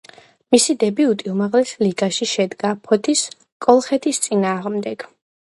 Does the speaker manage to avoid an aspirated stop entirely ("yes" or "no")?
no